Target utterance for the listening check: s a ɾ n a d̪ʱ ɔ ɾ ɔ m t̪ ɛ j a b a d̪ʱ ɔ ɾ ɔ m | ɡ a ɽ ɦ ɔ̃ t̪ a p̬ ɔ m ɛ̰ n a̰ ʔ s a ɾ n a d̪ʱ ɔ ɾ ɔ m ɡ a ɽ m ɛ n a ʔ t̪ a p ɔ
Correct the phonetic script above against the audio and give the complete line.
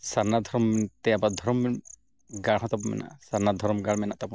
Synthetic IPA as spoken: s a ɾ n a d̪ʱ ɔ ɾ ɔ m t̪ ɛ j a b a d̪ʱ ɔ ɾ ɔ m | ɡ a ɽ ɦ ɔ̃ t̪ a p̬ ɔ m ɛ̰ n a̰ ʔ s a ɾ n a d̪ʱ ɔ ɾ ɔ m ɡ a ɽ m ɛ n a ʔ t̪ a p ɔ